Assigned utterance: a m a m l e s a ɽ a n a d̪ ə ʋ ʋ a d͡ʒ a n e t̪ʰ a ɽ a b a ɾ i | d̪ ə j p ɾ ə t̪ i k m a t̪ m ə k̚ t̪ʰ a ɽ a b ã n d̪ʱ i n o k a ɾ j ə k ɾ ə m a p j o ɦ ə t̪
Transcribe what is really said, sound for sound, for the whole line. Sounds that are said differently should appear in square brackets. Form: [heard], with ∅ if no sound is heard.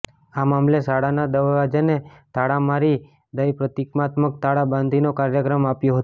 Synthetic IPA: a m a m l e s a ɽ a n a d̪ ə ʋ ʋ a d͡ʒ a n e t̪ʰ a ɽ a [m] a ɾ i | d̪ ə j p ɾ ə t̪ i k m a t̪ m ə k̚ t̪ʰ a ɽ a b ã n d̪ʱ i n o k a ɾ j ə k ɾ ə m a p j o ɦ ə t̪